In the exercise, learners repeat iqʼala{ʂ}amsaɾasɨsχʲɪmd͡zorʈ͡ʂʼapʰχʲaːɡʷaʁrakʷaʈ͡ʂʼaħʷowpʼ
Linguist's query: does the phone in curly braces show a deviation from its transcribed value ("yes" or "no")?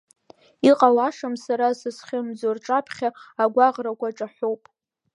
no